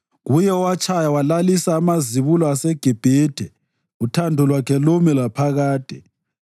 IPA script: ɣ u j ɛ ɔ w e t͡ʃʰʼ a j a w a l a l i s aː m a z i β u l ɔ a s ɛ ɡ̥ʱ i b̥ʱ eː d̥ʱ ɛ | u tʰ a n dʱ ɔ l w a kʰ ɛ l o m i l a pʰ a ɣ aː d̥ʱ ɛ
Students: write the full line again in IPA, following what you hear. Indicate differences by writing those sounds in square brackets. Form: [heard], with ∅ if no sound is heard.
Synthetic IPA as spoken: ɣ u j ɛ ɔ w [a] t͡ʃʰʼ a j a w a l a l i s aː m a z i β u l ɔ a s ɛ ɡ̥ʱ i b̥ʱ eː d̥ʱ ɛ | u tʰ a n dʱ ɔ l w a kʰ ɛ l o m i l a pʰ a ɣ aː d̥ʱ ɛ